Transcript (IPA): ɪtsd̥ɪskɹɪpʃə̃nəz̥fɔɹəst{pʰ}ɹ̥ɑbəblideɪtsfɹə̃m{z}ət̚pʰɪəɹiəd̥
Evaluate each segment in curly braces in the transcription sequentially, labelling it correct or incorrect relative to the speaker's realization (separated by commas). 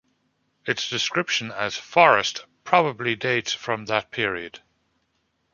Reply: correct, incorrect